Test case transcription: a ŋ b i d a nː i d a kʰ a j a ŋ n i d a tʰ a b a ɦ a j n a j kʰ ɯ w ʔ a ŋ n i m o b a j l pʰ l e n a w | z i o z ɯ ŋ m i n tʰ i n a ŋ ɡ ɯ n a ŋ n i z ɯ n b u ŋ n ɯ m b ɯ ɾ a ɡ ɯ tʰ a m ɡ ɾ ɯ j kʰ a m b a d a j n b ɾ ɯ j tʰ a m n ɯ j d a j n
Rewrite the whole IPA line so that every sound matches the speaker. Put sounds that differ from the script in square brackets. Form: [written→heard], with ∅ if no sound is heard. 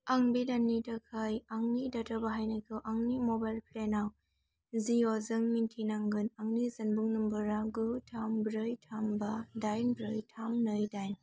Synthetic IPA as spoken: a ŋ b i d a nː i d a kʰ a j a ŋ n i d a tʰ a b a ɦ a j n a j kʰ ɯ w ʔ a ŋ n i m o b a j l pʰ l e n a w | z i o z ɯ ŋ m i n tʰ i n a ŋ ɡ ɯ n a ŋ n i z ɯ n b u ŋ n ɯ m b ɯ ɾ a ɡ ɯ tʰ a m [ɡ→b] ɾ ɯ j [kʰ→tʰ] a m b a d a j n b ɾ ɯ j tʰ a m n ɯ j d a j n

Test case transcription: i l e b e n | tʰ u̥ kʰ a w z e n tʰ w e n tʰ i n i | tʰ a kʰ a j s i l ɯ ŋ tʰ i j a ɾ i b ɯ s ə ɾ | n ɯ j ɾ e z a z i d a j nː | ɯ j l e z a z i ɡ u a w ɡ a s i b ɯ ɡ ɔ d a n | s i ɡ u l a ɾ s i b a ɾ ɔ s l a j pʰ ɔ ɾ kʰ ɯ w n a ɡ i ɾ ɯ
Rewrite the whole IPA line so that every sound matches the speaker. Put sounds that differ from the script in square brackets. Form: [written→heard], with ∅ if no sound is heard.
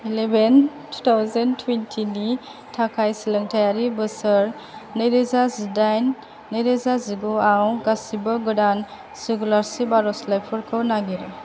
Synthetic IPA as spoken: i l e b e n | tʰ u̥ [kʰ→tʰ] a w z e n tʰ w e n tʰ i n i | tʰ a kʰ a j s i l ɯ ŋ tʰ [i→a] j a ɾ i b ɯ s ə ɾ | n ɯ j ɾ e z a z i d a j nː | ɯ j [l→ɾ] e z a z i ɡ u a w ɡ a s i b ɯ ɡ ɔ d a n | s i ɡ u l a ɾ s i b a ɾ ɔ s l a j pʰ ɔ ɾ kʰ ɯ w n a ɡ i ɾ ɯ

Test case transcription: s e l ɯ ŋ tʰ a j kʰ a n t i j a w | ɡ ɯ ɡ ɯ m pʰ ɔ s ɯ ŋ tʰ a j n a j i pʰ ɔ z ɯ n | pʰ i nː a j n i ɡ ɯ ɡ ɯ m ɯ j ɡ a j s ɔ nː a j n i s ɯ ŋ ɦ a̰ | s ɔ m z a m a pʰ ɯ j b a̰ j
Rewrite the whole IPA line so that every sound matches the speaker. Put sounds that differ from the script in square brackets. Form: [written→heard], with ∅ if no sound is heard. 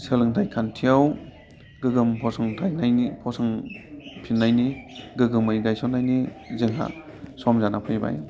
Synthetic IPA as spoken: s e l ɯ ŋ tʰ a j kʰ a n [t→tʰ] i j a w | ɡ ɯ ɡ ɯ m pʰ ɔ s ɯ ŋ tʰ a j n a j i pʰ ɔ [z→s] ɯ [n→ŋ] | pʰ i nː a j n i ɡ ɯ ɡ ɯ m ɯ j ɡ a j s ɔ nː a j n i [s→z] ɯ ŋ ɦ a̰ | s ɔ m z a [m→n] a pʰ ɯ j b a̰ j

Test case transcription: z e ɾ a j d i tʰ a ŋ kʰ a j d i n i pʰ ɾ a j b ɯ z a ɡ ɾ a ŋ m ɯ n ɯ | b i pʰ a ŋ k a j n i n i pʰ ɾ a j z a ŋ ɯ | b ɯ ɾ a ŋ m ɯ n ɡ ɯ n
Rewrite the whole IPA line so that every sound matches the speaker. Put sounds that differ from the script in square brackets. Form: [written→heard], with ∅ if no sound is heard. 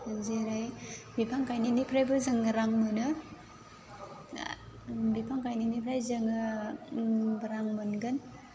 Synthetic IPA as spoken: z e ɾ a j [d→b] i [tʰ→pʰ] a ŋ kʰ a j [d→n] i n i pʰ ɾ a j b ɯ z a [ɡ→ŋ] ɾ a ŋ m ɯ n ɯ | b i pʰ a ŋ k a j n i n i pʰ ɾ a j z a ŋ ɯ | b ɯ ɾ a ŋ m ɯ n ɡ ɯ n

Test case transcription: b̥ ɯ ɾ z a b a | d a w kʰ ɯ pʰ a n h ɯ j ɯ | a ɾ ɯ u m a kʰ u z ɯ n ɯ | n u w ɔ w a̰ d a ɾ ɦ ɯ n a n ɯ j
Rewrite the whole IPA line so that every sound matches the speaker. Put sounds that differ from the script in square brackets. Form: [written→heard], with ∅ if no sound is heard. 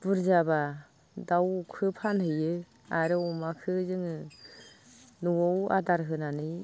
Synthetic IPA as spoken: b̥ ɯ ɾ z a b a | d a w kʰ ɯ pʰ a n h ɯ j ɯ | a ɾ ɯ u m a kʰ [u→ɯ] z ɯ [n→ŋ] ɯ | n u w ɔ w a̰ d a ɾ ɦ ɯ n a n ɯ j

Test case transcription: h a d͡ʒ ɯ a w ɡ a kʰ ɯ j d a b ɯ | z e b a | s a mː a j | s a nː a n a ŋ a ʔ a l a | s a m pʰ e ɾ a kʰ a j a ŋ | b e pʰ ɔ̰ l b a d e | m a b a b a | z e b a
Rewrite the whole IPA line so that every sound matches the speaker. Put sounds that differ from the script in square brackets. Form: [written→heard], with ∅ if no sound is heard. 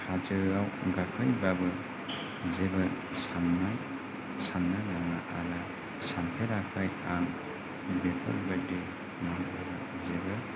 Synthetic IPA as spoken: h a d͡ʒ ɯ a w ɡ a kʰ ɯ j [d→b] a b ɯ | z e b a | s a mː a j | s a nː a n a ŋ a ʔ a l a | s a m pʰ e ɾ a kʰ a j a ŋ | b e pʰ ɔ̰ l b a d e | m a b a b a | z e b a

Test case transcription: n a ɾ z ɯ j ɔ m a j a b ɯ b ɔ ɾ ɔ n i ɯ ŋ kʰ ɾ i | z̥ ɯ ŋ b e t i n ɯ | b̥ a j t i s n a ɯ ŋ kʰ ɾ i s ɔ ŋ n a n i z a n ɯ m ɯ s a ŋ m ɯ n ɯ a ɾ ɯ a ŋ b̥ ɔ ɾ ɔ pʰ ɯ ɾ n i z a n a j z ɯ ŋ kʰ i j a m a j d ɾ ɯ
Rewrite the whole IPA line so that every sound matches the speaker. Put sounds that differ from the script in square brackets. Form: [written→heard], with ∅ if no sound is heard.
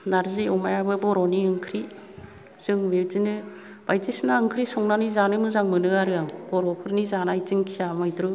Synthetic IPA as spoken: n a ɾ z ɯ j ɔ m a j a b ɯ b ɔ ɾ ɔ n i ɯ ŋ kʰ ɾ i | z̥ ɯ ŋ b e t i n ɯ | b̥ a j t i s n a ɯ ŋ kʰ ɾ i s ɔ ŋ n a n i z a n ɯ m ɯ [s→z] a ŋ m ɯ n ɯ a ɾ ɯ a ŋ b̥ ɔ ɾ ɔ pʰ ɯ ɾ n i z a n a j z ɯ ŋ kʰ i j a m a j d ɾ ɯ

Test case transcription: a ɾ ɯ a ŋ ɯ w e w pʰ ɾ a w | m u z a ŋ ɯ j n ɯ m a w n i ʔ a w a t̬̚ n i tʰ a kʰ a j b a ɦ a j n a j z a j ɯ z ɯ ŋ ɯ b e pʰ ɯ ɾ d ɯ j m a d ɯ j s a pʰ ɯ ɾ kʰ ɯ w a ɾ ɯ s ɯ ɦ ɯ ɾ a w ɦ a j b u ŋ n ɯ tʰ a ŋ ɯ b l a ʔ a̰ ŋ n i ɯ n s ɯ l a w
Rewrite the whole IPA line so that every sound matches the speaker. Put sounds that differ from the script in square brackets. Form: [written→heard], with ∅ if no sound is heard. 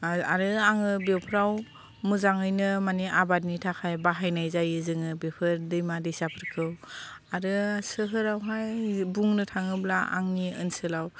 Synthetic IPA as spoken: a ɾ ɯ a ŋ ɯ [w→b] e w pʰ ɾ a w | m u z a ŋ ɯ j n ɯ m a [w→∅] n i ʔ a [w→b] a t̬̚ n i tʰ a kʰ a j b a ɦ a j n a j z a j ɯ z ɯ ŋ ɯ b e pʰ ɯ ɾ d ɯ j m a d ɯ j s a pʰ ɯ ɾ kʰ ɯ w a ɾ ɯ s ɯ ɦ ɯ ɾ a w ɦ a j b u ŋ n ɯ tʰ a ŋ ɯ b l a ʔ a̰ ŋ n i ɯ n s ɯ l a w

